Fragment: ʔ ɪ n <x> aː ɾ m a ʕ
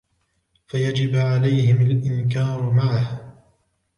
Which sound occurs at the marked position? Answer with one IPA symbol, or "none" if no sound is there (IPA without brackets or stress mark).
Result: k